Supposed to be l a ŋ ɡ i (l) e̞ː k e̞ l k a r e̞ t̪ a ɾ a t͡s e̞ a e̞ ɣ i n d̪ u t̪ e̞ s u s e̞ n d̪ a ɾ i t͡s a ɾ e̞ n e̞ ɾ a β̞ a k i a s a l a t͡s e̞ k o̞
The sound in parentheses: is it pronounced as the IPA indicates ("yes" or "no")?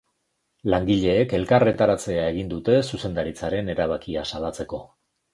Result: no